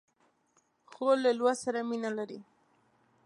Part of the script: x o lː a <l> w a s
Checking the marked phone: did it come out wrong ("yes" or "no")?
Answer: no